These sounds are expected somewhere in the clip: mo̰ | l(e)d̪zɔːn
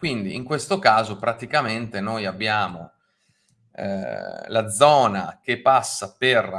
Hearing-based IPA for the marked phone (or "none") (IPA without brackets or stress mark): a